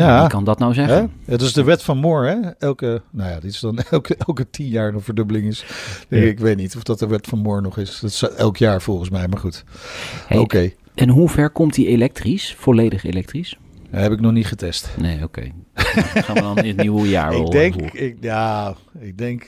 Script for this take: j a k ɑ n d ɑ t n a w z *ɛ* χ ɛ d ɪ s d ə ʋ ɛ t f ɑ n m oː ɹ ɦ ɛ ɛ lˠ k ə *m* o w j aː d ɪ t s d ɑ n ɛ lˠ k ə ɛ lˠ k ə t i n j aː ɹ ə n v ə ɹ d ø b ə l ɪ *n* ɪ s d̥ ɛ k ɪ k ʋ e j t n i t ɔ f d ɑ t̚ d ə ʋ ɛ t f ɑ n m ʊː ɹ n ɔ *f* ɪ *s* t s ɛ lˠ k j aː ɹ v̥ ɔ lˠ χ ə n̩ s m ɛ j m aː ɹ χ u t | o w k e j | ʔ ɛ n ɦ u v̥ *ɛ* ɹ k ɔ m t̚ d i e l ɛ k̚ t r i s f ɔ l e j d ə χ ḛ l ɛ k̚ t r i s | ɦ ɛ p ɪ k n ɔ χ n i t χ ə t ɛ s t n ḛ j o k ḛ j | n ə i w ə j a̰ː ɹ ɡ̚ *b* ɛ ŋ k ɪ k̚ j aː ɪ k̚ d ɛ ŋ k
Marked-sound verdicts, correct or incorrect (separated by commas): correct, incorrect, incorrect, incorrect, correct, correct, incorrect